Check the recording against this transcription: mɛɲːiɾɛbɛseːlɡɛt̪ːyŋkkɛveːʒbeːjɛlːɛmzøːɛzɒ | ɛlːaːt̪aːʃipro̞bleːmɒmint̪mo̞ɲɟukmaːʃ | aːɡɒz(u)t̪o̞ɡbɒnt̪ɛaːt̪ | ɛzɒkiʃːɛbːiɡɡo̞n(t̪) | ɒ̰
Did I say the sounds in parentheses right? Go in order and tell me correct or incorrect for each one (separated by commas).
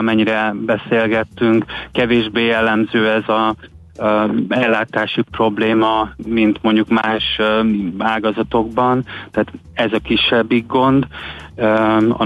incorrect, incorrect